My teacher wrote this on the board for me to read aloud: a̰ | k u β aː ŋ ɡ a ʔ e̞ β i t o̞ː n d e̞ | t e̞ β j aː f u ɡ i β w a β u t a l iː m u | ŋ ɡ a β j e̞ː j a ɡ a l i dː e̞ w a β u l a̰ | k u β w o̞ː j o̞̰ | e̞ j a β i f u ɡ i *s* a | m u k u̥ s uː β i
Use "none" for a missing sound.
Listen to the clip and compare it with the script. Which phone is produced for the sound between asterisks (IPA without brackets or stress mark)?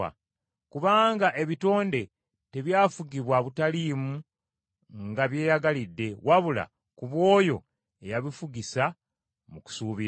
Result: s